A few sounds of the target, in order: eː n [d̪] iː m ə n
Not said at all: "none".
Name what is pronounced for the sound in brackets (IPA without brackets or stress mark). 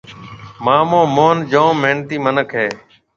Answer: t̪